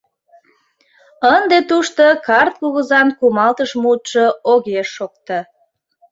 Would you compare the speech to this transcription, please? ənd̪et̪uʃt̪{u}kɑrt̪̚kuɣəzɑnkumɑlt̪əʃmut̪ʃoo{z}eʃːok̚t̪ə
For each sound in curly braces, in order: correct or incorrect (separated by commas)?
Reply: incorrect, incorrect